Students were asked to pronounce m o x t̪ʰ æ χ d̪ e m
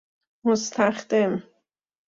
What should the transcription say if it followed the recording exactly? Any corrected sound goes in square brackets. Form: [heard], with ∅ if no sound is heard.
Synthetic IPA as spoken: m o [s] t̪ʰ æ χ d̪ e m